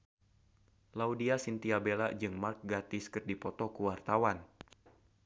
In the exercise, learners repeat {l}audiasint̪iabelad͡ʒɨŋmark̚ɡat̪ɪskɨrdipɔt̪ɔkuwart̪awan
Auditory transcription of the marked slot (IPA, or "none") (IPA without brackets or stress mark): l